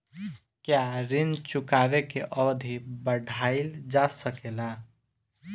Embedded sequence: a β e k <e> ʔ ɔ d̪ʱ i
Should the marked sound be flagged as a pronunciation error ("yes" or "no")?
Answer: no